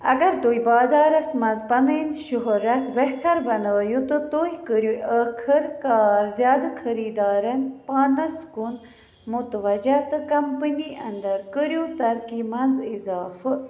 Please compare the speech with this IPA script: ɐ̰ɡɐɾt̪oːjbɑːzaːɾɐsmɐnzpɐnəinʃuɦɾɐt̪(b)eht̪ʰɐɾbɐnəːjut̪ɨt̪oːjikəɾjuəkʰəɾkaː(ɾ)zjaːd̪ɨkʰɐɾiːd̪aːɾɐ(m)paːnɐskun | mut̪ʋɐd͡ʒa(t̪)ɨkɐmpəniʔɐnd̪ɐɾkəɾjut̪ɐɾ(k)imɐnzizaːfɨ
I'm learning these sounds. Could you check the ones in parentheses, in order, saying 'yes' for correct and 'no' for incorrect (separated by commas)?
yes, yes, no, yes, yes